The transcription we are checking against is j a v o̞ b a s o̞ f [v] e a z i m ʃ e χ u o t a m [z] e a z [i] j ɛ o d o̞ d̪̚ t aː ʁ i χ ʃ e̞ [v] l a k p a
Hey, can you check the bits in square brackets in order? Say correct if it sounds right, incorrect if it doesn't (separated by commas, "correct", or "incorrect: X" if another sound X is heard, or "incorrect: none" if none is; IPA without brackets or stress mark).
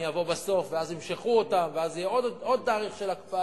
correct, incorrect: v, correct, incorrect: none